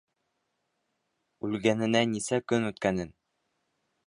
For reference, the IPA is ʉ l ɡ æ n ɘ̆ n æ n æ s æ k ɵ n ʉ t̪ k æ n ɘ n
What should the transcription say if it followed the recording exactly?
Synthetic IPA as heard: ʉ l ɡ æ n ɘ̆ n æ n i s æ k ɵ n ʉ t̪ k æ n ɘ n